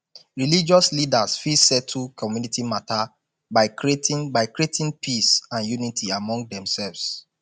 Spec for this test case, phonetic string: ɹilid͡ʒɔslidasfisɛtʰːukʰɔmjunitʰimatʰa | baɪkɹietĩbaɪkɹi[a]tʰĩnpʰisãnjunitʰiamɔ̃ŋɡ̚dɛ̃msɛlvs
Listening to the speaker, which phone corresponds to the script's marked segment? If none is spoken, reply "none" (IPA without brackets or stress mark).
e